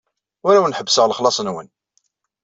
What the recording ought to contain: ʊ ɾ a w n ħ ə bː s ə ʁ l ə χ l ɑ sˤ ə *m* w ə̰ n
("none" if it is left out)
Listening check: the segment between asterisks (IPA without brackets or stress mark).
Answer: n